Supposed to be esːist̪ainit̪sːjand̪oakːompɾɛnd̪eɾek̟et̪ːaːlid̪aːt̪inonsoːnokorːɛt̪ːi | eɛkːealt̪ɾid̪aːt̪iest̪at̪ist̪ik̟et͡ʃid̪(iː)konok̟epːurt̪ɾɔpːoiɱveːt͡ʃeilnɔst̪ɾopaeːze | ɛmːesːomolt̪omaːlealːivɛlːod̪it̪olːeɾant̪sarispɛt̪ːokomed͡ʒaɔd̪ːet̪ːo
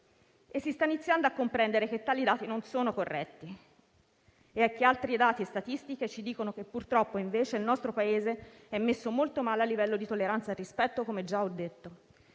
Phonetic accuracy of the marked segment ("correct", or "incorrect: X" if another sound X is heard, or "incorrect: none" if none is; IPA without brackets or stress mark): correct